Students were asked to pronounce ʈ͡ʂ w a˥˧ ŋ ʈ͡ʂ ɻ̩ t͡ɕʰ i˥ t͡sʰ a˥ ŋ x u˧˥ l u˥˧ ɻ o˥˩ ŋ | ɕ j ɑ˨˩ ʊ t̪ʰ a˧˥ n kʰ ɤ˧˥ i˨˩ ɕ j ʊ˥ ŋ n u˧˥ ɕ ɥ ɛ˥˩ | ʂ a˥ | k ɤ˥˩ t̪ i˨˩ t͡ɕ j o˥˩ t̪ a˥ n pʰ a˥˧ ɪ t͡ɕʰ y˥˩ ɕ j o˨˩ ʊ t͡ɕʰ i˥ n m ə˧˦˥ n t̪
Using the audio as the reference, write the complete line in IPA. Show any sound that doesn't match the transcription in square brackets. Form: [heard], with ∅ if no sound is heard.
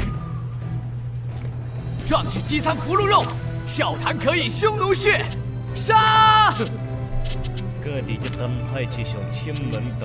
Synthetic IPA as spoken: ʈ͡ʂ w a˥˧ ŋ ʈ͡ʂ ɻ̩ [t͡ɕ] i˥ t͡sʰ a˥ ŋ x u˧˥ l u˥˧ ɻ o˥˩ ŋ | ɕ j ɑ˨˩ ʊ t̪ʰ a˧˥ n kʰ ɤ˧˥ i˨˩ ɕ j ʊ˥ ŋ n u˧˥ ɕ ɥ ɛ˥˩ | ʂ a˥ | k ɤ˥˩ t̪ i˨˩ t͡ɕ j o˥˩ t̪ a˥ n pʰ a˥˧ ɪ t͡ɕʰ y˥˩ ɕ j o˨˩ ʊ t͡ɕʰ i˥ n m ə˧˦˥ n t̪